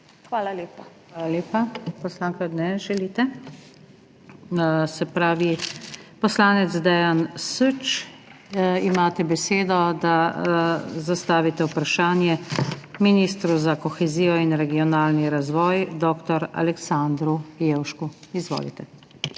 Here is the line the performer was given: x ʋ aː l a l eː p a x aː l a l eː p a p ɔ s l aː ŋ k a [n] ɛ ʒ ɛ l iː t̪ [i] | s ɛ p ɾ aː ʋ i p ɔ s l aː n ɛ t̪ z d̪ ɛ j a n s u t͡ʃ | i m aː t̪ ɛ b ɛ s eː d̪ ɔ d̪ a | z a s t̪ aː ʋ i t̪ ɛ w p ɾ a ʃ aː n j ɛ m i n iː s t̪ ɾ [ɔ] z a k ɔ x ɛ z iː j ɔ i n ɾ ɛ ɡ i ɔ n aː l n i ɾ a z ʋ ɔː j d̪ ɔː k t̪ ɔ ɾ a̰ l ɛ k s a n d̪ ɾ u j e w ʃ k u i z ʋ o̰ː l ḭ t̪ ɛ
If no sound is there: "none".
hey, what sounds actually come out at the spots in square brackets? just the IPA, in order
n, ɛ, u

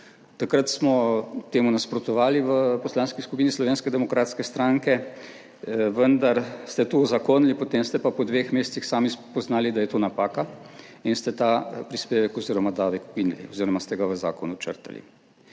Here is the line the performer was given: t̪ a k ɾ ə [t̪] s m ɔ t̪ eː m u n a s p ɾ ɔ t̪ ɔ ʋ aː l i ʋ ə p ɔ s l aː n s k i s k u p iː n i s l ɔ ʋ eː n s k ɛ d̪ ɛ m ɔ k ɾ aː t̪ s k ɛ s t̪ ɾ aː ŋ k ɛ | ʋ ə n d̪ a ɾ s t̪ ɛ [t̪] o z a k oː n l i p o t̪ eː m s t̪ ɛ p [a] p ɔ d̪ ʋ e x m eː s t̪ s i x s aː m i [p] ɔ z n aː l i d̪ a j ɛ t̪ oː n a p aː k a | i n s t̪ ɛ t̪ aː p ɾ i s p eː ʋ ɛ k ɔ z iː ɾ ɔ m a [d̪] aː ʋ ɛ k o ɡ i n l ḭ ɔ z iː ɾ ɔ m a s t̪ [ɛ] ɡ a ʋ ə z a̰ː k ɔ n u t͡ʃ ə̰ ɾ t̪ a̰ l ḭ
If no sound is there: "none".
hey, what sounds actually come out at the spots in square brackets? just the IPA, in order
t̪, t̪, a, p, d̪, ɛ

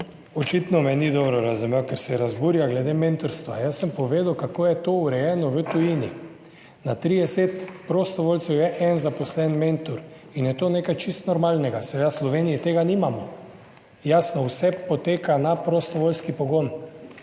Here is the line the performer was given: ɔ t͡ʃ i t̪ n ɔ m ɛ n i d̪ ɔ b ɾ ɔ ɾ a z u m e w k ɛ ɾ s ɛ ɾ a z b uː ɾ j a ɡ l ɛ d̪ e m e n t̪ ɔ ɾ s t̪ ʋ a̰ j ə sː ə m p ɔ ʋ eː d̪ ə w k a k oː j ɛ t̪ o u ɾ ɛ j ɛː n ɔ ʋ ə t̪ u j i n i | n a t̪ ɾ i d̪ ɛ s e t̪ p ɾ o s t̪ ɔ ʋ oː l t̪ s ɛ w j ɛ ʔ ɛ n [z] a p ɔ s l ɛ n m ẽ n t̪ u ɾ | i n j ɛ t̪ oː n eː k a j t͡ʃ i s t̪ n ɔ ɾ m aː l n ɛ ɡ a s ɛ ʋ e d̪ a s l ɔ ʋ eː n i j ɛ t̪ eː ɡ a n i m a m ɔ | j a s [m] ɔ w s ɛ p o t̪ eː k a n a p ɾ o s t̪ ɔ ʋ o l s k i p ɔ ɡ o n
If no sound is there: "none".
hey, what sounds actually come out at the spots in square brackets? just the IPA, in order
z, n

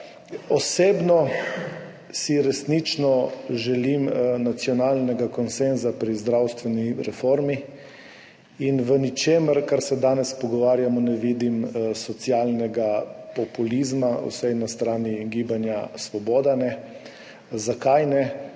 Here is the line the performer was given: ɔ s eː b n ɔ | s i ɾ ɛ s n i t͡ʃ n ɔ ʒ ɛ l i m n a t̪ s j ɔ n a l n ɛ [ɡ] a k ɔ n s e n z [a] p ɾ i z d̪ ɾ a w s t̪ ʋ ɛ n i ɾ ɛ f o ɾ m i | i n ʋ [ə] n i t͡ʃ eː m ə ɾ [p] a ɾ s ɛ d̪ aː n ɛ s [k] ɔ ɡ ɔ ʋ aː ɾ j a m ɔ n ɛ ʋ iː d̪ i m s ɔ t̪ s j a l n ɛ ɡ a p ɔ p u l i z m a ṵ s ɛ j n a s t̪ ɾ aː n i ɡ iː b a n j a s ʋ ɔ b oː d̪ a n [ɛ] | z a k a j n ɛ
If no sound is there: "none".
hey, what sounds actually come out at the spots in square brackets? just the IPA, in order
ɡ, a, ə, k, p, ɛ

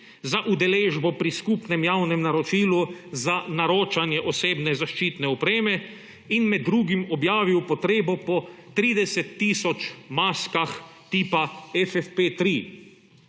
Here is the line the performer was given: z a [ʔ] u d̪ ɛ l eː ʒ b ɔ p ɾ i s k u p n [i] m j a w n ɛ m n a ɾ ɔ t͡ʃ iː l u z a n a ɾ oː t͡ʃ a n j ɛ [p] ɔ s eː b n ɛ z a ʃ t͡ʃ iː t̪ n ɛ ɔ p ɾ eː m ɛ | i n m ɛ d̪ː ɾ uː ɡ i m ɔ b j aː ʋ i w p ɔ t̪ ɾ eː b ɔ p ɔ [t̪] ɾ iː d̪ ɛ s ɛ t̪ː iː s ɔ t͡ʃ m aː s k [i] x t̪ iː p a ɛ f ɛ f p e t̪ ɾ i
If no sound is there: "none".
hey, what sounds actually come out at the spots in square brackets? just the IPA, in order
ʔ, ɛ, ʔ, t̪, a

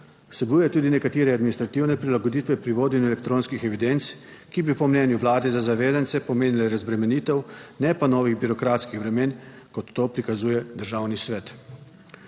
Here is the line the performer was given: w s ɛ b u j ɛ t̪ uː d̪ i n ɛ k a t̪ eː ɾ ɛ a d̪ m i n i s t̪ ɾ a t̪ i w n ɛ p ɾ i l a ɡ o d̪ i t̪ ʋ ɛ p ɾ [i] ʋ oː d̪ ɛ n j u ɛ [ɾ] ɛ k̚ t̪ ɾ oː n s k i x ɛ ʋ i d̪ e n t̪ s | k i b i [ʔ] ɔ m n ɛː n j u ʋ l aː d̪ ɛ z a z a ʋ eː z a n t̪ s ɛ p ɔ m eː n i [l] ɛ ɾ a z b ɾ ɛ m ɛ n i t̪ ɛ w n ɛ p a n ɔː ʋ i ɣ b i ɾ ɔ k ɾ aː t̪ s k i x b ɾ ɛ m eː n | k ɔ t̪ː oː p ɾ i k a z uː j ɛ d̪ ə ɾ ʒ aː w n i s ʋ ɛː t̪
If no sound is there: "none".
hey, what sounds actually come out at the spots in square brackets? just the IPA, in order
i, l, p, l

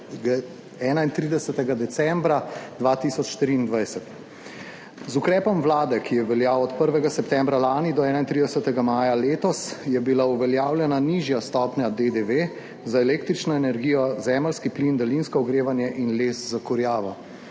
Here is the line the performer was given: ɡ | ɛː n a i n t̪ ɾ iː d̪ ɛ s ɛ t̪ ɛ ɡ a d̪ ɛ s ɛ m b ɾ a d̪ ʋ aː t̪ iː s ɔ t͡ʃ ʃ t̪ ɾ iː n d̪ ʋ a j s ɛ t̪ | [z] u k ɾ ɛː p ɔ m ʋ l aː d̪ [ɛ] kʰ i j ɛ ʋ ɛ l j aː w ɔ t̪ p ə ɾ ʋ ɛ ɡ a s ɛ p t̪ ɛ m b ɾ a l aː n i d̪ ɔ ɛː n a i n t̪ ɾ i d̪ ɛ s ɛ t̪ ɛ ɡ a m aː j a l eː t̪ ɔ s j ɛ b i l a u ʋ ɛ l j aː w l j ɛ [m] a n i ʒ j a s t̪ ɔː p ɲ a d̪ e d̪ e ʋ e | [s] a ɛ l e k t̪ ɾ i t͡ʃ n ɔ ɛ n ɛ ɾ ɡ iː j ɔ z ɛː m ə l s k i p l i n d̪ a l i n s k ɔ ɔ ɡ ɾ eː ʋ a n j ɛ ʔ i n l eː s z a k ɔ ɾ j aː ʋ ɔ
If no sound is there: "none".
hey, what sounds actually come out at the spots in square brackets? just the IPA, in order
z, ɛ, n, z

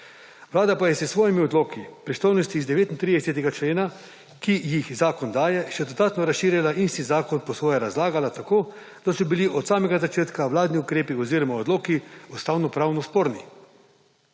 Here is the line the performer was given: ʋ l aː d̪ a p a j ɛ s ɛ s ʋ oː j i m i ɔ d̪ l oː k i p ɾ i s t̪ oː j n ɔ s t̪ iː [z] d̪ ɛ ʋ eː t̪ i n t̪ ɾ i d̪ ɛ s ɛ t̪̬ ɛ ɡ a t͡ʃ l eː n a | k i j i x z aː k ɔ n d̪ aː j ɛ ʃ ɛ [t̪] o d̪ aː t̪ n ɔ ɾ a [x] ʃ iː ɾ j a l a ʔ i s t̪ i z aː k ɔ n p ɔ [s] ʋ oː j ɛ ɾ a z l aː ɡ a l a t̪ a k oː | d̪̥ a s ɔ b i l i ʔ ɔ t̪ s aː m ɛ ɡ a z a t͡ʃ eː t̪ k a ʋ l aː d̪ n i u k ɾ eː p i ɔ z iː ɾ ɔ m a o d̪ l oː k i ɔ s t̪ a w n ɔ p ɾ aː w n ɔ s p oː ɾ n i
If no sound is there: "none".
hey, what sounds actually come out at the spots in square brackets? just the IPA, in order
z, d̪, s, s

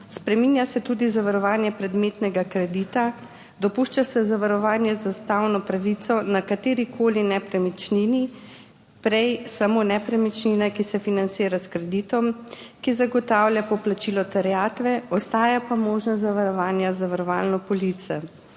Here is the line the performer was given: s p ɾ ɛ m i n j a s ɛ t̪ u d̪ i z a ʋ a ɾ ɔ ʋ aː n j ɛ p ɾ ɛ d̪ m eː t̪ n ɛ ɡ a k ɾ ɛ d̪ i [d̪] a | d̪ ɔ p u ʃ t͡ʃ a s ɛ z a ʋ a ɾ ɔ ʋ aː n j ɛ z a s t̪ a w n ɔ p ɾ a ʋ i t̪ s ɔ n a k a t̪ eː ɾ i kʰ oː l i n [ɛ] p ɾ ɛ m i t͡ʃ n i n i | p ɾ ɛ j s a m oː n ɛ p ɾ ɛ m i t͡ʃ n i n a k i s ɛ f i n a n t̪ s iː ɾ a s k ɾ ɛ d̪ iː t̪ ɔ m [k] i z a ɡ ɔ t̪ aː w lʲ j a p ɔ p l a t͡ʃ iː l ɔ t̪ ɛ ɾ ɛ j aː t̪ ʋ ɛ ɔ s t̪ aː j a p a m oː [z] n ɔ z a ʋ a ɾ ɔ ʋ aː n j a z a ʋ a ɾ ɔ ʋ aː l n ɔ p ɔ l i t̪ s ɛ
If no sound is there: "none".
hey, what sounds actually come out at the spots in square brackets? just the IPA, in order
t̪, ɛ, k, ʒ

